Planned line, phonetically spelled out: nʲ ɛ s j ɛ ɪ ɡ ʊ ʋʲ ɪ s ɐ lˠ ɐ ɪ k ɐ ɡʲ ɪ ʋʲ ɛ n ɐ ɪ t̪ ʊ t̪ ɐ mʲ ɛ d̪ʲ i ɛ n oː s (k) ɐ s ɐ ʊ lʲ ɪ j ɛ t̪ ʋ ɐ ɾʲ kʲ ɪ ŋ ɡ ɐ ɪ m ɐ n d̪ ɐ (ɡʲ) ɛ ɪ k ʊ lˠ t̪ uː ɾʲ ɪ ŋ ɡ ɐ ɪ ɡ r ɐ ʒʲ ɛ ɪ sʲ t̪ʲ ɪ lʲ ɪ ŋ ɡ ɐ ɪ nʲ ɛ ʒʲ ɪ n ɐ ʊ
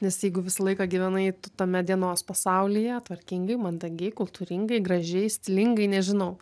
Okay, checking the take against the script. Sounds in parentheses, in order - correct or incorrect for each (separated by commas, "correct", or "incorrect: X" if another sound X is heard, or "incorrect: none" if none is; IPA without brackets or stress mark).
incorrect: p, correct